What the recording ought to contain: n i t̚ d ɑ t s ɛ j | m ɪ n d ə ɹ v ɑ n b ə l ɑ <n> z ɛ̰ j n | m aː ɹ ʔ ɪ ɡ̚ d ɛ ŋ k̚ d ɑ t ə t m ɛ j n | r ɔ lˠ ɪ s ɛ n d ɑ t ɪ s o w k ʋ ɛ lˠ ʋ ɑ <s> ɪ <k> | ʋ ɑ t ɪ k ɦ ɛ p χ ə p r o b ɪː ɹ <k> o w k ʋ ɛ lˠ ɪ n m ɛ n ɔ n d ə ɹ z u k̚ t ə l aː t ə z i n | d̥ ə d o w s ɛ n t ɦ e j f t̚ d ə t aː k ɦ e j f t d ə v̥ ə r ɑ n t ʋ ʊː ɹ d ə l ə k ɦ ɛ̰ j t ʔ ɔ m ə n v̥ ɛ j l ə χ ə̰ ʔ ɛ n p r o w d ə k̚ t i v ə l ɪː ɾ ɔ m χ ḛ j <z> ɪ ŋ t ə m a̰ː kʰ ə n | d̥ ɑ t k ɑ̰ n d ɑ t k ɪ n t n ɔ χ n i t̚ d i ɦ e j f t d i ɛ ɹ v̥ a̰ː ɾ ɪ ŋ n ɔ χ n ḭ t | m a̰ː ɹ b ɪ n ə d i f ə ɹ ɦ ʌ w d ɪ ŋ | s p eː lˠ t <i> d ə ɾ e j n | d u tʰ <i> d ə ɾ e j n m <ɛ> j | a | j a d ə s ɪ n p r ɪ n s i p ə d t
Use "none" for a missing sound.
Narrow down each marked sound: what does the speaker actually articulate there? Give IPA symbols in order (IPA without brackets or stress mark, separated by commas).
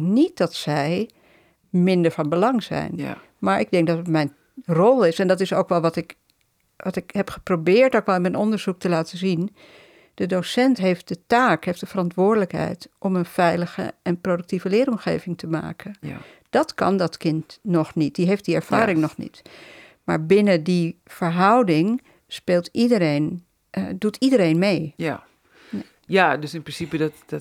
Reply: ŋ, t, k, t, v, i, i, e